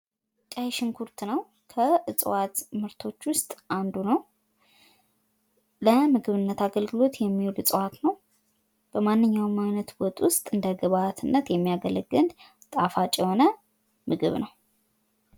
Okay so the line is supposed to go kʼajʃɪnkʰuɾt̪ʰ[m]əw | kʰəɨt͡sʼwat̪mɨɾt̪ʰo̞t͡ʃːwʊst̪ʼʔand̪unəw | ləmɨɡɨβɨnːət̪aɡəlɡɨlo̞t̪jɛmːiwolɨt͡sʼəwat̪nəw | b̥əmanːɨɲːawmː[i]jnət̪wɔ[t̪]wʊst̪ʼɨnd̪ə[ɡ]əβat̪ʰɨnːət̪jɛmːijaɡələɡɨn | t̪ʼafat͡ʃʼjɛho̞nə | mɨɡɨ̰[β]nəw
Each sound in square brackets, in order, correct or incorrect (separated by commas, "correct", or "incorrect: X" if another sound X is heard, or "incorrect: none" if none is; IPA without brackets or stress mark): incorrect: n, incorrect: a, incorrect: t̪ʼ, correct, correct